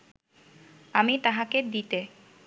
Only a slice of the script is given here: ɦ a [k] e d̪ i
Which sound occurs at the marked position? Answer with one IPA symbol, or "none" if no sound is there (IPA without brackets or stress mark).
k